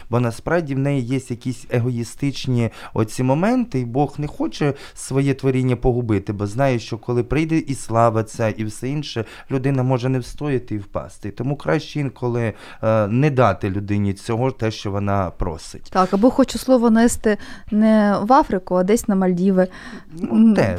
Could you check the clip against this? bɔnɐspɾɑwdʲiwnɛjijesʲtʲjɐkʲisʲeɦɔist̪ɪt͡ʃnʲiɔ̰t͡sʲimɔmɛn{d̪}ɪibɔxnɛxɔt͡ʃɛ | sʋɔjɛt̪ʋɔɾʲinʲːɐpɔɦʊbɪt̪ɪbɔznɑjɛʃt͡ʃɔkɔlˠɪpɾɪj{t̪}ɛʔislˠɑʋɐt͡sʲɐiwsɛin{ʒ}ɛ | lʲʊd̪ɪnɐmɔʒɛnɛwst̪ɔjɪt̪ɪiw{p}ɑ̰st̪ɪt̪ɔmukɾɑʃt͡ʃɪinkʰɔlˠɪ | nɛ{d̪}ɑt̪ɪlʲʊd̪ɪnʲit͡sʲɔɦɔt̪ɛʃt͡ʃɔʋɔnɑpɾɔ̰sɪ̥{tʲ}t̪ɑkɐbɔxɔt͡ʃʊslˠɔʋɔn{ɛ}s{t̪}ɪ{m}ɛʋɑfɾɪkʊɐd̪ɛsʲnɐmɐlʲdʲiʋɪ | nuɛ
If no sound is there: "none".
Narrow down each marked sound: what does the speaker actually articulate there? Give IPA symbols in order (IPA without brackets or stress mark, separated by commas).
t̪, d̪, ʃ, p, d̪, tʲ, ɛ, t̪, n